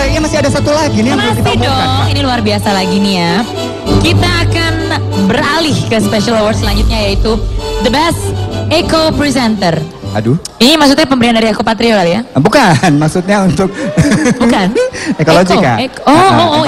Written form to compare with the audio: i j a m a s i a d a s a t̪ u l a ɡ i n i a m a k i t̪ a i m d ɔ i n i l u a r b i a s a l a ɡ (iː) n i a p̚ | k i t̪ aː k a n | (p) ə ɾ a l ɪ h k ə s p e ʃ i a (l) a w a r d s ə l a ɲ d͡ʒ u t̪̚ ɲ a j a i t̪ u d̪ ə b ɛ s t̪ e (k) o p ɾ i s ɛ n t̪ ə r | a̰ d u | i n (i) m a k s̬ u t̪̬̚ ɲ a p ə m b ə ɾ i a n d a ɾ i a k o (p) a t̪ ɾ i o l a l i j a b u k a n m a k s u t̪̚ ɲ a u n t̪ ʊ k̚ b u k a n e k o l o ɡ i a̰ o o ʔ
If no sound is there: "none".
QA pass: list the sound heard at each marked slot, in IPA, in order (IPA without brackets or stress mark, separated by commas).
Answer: i, b, l, k, i, p